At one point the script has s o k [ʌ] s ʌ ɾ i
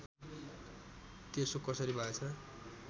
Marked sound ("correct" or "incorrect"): correct